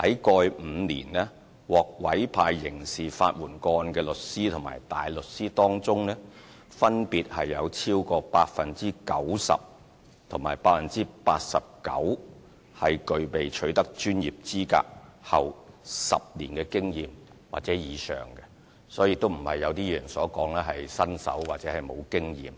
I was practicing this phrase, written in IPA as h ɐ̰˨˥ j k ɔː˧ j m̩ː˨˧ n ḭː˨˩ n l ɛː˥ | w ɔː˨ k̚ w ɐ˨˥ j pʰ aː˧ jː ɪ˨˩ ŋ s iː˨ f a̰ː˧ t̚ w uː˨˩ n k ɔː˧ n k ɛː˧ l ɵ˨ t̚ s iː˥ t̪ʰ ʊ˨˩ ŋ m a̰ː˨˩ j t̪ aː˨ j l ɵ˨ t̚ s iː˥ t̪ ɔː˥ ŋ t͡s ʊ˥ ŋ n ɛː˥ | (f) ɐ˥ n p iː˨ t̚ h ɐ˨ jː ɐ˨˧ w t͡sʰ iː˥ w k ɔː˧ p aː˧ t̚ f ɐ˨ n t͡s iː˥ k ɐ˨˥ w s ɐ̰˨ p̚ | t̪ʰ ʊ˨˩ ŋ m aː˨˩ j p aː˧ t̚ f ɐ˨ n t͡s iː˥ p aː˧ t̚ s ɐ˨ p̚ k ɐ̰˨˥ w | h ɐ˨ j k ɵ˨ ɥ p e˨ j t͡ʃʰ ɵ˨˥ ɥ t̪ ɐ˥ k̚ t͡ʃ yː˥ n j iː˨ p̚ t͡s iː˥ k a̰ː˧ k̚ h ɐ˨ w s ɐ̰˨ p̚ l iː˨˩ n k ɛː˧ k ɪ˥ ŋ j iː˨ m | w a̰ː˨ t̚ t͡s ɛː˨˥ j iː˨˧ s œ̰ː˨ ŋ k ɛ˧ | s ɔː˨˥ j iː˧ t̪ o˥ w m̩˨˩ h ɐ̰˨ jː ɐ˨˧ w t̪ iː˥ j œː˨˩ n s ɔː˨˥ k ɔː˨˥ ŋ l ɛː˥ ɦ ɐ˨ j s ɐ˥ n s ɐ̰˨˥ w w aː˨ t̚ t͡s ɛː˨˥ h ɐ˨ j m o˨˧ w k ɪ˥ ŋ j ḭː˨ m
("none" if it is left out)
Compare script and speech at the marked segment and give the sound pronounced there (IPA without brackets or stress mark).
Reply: f